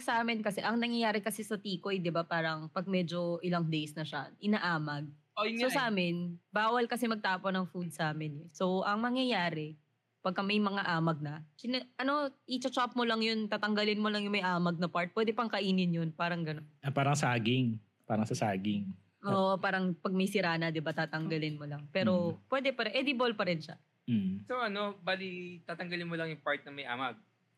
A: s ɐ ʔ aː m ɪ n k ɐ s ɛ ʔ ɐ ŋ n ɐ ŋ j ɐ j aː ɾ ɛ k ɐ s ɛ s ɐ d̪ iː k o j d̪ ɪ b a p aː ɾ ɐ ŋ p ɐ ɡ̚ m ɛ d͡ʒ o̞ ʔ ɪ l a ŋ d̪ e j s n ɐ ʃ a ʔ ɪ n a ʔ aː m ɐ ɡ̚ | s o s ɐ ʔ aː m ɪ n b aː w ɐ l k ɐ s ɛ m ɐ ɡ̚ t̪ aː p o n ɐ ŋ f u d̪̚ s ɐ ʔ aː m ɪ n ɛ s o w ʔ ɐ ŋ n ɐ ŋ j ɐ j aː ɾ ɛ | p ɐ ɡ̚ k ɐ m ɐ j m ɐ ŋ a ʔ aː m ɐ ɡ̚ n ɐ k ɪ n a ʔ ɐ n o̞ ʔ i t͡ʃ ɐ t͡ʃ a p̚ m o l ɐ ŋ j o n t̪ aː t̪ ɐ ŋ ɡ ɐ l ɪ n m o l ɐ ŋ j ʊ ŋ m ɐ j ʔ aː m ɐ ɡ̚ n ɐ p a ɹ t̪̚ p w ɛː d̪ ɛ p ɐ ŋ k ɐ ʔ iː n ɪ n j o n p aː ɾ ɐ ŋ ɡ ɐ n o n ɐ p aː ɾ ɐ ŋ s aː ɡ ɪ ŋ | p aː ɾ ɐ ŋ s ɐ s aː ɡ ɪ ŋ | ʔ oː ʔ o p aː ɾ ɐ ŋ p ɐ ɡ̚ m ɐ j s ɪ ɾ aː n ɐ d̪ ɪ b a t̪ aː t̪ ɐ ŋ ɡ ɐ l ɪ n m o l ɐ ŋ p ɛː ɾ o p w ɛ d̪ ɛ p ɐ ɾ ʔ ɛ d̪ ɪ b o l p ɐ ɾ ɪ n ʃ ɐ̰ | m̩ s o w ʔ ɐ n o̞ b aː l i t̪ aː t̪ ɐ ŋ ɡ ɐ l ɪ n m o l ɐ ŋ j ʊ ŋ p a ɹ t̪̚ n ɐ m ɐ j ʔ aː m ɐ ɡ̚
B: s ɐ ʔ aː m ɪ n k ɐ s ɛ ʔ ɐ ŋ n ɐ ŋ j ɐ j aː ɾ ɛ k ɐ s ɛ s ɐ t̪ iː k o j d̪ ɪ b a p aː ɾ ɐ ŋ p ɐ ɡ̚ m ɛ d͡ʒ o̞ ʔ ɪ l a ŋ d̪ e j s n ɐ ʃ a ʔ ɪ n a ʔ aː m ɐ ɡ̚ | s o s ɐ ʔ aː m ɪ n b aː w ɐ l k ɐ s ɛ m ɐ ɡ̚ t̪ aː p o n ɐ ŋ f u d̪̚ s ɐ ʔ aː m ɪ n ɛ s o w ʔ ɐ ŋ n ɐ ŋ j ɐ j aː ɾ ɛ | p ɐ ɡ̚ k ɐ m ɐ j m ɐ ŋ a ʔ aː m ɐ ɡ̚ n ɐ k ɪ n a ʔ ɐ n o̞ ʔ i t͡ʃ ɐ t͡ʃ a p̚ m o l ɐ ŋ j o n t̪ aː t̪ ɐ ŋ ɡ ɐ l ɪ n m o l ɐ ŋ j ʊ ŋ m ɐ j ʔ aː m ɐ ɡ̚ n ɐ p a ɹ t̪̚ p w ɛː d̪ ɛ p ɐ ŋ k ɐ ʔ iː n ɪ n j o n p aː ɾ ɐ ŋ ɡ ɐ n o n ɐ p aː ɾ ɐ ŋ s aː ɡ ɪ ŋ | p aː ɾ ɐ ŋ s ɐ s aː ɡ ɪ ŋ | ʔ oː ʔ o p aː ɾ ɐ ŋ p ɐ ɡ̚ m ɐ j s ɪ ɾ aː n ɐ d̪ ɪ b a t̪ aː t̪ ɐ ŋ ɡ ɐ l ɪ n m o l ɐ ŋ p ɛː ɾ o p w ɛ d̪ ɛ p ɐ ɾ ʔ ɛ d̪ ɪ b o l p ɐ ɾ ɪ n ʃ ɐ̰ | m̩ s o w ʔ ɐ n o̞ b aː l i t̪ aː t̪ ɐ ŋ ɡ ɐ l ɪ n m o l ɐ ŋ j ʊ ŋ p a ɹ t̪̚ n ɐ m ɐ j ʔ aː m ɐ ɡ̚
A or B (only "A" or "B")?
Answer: B